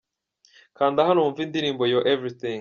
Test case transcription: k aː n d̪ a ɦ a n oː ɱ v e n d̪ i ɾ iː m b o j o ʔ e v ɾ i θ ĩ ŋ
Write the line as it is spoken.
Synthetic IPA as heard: k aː n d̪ a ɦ a n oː ɱ v i n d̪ i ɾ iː m b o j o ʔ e v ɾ i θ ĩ ŋ